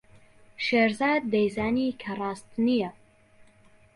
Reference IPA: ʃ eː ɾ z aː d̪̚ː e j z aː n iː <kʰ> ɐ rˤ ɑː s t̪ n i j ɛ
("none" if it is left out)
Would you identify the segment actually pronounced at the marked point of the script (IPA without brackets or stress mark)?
kʰ